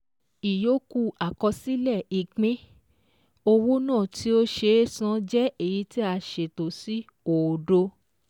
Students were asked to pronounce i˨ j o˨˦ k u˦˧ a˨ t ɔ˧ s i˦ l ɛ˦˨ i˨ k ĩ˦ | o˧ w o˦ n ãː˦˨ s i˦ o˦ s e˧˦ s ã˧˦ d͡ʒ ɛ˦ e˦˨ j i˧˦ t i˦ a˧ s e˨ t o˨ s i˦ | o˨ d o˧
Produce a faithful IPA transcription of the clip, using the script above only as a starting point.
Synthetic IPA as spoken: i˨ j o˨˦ k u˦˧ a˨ k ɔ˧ s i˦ l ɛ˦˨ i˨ k͡p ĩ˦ | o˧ w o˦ n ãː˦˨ t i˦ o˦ ʃ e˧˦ s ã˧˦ d͡ʒ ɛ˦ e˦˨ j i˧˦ t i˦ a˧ ʃ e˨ t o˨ s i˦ | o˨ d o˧

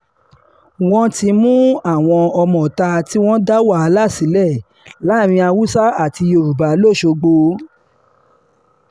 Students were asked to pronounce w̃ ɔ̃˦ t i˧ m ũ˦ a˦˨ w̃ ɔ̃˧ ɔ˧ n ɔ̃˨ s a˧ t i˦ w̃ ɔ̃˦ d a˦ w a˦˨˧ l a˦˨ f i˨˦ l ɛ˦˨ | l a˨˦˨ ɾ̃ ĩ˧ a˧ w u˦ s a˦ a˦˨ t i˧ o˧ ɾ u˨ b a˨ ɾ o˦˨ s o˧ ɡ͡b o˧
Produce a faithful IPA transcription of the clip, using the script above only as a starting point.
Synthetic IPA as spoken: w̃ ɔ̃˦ t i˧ m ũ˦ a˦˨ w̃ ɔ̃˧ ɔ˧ m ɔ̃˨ t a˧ t i˦ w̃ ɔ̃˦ d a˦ w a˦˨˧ l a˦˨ s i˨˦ l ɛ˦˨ | l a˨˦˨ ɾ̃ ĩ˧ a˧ w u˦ s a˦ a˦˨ t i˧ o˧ ɾ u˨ b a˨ l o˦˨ ʃ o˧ ɡ͡b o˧

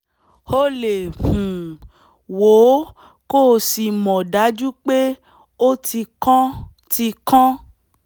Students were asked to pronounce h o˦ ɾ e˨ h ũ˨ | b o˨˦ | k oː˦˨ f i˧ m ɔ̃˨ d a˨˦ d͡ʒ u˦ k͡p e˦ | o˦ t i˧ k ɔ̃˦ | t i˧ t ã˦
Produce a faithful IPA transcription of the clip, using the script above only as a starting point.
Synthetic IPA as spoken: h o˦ l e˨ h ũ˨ | w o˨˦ | k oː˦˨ s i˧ m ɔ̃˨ d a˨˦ d͡ʒ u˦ k͡p e˦ | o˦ t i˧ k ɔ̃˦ | t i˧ k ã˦

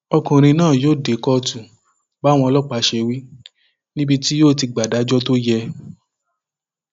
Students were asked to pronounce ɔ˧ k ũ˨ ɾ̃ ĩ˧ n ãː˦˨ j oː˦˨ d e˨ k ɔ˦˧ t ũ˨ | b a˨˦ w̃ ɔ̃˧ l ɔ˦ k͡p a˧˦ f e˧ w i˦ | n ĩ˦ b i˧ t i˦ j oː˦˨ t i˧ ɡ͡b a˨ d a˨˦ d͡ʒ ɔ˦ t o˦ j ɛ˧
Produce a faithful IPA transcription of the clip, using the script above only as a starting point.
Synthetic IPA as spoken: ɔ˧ k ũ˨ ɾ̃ ĩ˧ n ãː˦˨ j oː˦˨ d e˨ k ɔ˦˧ t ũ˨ | b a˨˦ w̃ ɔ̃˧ l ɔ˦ k͡p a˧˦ ʃ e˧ w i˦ | n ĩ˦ b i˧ t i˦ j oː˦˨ t i˧ ɡ͡b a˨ d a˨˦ d͡ʒ ɔ˦ t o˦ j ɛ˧

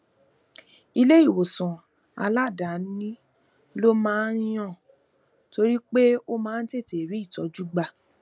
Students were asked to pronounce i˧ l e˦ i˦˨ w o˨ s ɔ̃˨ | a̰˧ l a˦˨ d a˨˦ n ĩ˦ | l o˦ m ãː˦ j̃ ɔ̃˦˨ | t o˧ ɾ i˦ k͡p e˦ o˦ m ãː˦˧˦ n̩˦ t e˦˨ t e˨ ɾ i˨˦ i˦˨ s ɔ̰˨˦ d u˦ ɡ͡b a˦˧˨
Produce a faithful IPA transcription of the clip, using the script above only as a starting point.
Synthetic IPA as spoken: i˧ l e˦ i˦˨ w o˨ s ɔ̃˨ | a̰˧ l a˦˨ d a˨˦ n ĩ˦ | l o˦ m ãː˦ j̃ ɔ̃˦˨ | t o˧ ɾ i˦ k͡p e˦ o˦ m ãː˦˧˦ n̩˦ t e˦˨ t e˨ ɾ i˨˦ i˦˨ t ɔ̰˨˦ d͡ʒ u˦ ɡ͡b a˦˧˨

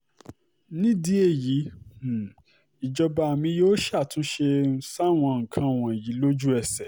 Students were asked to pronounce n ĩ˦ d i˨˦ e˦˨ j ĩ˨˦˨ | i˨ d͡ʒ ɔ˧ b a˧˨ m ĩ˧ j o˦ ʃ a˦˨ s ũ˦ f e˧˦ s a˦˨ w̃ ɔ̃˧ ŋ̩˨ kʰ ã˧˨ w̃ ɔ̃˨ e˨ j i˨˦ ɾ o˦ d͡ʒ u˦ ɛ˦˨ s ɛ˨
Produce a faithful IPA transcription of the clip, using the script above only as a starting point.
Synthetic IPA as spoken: n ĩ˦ d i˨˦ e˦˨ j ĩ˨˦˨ | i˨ d͡ʒ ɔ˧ b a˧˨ m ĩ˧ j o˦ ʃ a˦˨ t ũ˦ ʃ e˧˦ s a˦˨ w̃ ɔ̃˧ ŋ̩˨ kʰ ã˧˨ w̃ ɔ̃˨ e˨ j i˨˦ l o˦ d͡ʒ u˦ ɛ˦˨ s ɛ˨

